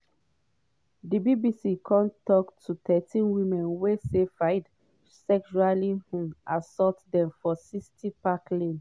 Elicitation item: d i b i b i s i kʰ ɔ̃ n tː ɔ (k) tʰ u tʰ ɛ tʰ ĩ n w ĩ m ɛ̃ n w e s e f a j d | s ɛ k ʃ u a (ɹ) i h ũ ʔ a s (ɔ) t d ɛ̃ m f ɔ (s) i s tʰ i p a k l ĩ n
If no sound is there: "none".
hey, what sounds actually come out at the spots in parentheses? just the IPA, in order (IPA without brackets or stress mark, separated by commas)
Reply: k, l, ɔ, s